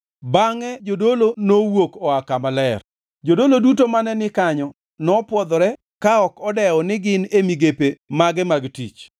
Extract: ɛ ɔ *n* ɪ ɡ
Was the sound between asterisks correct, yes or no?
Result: yes